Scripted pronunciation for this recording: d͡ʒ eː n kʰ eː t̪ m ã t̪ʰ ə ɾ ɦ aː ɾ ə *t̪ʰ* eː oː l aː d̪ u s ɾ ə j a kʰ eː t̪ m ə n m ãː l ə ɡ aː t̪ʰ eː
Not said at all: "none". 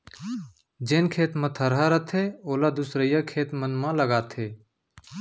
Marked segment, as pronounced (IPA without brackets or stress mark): t̪ʰ